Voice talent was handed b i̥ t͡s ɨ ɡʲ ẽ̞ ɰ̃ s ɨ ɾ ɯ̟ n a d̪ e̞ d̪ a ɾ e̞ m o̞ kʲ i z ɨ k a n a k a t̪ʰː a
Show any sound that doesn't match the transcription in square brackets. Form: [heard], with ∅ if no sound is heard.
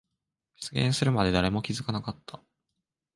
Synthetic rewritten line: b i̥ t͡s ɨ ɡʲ ẽ̞ ɰ̃ s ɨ ɾ ɯ̟ [m] a d̪ e̞ d̪ a ɾ e̞ m o̞ kʲ i z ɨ k a n a k a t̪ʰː a

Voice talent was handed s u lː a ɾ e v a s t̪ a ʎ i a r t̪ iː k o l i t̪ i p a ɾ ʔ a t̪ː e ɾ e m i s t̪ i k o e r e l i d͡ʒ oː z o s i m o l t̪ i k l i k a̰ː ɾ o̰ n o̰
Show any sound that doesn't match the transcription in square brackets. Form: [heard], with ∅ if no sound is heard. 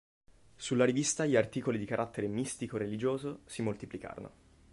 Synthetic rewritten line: s u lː a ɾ [i] v [i] s t̪ a ʎ i a r t̪ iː k o l i [d̪] i [k] a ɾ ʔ a t̪ː e ɾ e m i s t̪ i k o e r e l i d͡ʒ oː z o s i m o l t̪ i [p] l i k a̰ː ɾ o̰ n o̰

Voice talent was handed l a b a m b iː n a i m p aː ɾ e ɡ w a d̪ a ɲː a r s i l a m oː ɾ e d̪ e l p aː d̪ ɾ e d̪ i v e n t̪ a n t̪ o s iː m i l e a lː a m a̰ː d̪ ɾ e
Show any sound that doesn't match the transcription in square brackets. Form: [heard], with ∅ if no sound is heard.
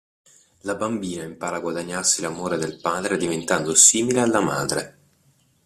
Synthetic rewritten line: l a b a m b iː n a i m p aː ɾ [a] ɡ w a d̪ a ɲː a r s i l a m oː ɾ e d̪ e l p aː d̪ ɾ e d̪ i v e n t̪ a n [d̪] o s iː m i l e a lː a m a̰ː d̪ ɾ e

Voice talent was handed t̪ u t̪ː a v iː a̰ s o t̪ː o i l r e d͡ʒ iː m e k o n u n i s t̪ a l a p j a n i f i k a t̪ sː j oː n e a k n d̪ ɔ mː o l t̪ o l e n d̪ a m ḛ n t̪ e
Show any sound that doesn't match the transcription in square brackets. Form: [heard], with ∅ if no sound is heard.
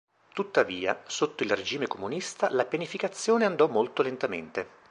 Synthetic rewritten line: t̪ u t̪ː a v iː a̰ s o t̪ː o i l r e d͡ʒ iː m e k o [m] u n i s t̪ a l a p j a n i f i k a t̪ sː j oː n e a [∅] n d̪ ɔ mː o l t̪ o l e n [t̪] a m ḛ n t̪ e

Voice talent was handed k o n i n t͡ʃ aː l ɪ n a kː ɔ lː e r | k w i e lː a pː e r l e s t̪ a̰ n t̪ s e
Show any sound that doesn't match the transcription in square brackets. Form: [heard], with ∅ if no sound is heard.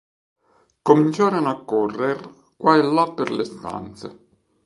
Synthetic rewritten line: k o [m] i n t͡ʃ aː [ɾ] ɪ n a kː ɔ [rː] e r | k w [a] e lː a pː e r l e s t̪ a̰ n t̪ s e

